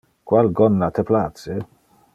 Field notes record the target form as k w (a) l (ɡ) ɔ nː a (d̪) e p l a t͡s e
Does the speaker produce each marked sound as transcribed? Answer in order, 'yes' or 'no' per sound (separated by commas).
yes, yes, no